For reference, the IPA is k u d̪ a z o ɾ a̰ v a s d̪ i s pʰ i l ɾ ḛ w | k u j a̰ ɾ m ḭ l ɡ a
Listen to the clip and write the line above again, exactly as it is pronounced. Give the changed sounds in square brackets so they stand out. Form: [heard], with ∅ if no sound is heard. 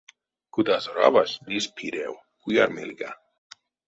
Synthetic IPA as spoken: k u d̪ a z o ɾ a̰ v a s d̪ i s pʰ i [∅] ɾ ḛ w | k u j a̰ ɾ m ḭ l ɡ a